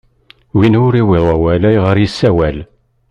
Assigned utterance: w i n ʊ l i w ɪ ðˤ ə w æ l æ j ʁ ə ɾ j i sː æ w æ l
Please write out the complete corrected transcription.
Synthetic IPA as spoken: w i n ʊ ɾ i w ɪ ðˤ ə w æ l æ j ʁ ə ɾ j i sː æ w æ l